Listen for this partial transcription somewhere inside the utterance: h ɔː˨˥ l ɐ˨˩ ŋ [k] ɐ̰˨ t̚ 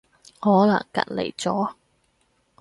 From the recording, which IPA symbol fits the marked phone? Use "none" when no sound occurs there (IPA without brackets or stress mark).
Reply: k